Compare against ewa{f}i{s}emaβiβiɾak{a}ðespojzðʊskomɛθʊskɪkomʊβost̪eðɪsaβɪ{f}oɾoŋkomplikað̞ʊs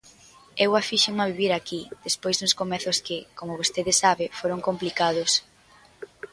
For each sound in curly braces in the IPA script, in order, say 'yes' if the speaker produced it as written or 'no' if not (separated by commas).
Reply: yes, no, no, yes